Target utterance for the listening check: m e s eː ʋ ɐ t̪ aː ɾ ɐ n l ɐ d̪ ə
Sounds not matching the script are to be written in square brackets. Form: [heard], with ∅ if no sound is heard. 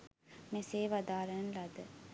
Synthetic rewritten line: m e s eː ʋ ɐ [d̪] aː ɾ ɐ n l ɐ d̪ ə

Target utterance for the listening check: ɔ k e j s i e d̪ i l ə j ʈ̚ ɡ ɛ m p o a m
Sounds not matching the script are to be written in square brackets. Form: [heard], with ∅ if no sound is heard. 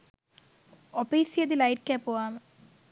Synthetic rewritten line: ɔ [p] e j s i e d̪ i l [a] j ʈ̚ [k] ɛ [∅] p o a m

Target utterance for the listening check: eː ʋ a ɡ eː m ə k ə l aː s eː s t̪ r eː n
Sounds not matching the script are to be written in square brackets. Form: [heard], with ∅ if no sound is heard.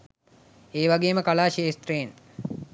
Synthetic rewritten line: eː ʋ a ɡ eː m ə k [a] l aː [ʃ] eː s t̪ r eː n

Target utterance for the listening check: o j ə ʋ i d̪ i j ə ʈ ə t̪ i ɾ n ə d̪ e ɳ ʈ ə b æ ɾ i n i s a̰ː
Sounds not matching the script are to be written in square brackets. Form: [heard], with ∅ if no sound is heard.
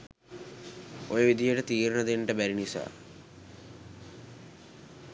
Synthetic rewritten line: o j ə ʋ i d̪ i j ə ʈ ə t̪ [iː] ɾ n ə d̪ e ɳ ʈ ə b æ ɾ i n i s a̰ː

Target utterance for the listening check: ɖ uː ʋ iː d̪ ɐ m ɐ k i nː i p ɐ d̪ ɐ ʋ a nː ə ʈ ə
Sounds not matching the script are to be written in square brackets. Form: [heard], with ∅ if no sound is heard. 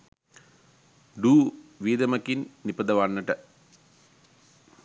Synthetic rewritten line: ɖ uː ʋ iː d̪ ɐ m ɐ k i nː i p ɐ d̪ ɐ ʋ a nː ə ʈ ə

